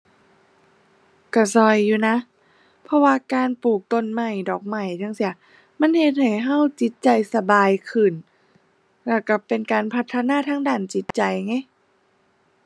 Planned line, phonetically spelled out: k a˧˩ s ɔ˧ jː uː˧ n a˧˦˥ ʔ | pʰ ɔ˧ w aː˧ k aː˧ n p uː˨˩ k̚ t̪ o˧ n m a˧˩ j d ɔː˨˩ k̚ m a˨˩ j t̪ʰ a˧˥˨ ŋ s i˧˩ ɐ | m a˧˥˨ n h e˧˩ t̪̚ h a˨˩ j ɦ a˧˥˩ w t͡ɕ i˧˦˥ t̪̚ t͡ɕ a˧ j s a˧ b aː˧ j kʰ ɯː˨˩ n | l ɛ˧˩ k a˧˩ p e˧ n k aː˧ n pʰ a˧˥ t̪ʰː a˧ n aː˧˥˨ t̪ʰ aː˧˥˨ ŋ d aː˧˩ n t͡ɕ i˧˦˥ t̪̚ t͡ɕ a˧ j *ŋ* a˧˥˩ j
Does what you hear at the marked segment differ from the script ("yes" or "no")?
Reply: no